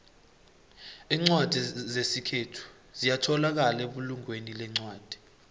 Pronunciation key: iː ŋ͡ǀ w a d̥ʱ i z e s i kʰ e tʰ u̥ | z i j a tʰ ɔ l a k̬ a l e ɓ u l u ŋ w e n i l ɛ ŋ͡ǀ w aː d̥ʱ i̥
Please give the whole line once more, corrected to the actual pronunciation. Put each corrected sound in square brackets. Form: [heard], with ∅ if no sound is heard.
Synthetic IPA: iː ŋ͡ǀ w a d̥ʱ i z e s i kʰ e tʰ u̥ | z i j a tʰ ɔ l a k̬ a l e ɓ u l u ŋ w e n i l ɛ ŋ͡ǀ w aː d̥ʱ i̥